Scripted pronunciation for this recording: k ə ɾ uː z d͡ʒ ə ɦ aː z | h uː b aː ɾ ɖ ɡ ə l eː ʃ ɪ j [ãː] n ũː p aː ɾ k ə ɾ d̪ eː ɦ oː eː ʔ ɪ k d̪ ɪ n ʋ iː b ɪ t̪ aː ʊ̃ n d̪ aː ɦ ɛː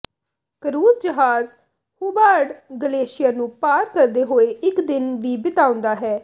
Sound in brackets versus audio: incorrect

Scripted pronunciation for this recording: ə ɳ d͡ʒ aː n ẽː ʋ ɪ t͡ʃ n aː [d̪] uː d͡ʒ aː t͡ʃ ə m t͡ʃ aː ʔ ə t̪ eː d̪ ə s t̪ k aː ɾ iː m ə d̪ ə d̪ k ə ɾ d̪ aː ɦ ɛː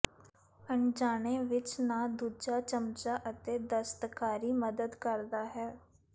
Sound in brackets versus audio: correct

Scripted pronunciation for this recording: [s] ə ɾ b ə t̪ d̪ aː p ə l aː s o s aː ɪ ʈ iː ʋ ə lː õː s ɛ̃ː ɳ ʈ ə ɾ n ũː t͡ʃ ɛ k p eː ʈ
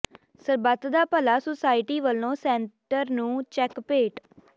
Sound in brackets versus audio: correct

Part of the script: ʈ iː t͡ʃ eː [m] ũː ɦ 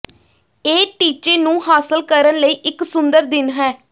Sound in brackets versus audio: incorrect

